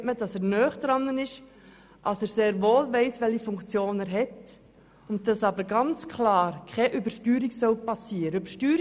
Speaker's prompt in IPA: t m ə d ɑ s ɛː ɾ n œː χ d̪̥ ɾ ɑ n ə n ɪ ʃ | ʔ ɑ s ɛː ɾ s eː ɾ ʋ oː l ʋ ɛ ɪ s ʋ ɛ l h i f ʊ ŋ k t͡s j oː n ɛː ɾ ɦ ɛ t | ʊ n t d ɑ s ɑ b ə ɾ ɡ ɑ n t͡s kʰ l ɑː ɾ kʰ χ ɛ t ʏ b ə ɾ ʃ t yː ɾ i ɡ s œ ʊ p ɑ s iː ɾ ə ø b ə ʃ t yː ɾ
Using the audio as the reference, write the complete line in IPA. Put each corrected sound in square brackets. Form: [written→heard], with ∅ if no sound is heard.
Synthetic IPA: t m ə d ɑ s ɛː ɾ n œː χ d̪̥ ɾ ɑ n ə n ɪ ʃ | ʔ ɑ s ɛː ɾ s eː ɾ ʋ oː l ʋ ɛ ɪ s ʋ ɛ l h i f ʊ ŋ k t͡s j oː n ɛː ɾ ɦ ɛ t | ʊ n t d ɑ s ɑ b ə ɾ ɡ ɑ n t͡s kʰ l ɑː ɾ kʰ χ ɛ [t→ʔ] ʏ b ə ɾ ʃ t yː ɾ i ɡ s œ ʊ p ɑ s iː ɾ ə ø b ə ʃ t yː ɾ